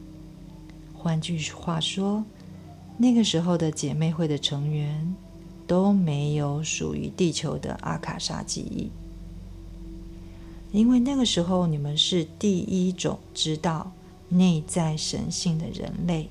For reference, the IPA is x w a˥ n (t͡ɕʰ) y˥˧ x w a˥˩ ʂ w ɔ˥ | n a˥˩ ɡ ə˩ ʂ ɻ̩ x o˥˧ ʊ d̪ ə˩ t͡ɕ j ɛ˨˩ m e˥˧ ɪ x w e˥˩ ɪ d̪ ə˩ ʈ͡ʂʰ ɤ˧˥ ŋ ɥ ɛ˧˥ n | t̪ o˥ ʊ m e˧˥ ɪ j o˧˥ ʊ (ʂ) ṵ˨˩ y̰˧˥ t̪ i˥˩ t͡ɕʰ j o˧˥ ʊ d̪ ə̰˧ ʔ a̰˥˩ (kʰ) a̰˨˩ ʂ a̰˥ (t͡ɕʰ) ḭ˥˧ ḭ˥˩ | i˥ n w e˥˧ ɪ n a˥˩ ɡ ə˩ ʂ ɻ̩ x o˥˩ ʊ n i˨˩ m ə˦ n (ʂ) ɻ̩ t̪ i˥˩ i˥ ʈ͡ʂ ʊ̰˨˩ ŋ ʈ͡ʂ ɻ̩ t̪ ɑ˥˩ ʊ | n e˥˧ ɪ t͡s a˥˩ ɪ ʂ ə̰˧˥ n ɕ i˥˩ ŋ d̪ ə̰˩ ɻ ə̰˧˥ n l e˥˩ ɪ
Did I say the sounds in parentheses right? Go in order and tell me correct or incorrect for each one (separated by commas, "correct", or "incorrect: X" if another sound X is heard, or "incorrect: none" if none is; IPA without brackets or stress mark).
incorrect: t͡ɕ, correct, correct, incorrect: t͡ɕ, correct